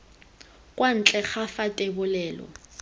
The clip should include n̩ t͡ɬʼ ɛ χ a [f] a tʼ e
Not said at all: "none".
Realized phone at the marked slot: f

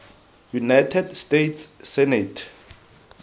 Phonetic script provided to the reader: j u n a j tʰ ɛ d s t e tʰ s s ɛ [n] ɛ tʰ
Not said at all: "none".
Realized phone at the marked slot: n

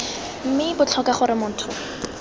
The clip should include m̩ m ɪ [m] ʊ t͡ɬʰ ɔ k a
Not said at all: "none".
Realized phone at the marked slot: b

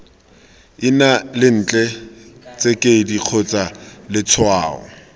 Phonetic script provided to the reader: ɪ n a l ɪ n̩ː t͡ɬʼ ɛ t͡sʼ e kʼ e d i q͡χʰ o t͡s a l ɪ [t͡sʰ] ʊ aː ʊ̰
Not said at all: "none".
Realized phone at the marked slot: t͡sʰ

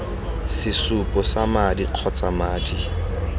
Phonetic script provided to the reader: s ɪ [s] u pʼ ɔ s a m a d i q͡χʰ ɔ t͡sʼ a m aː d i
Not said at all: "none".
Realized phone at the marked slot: s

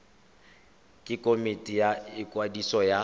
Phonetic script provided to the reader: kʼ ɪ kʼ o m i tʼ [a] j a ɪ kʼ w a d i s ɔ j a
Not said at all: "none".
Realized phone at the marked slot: i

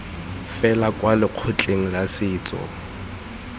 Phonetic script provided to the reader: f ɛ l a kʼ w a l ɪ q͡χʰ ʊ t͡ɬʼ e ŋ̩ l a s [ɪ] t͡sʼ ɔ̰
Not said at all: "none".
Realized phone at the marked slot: ɪː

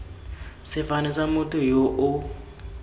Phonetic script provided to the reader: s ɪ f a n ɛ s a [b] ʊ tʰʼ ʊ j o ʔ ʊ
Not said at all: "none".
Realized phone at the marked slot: m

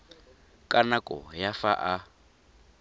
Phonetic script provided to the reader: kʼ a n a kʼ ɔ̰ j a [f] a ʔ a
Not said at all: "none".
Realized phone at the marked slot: f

